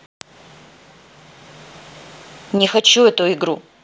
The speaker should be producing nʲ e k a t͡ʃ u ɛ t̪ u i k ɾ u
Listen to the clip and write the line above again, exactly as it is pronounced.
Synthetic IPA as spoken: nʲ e x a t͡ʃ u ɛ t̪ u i ɡ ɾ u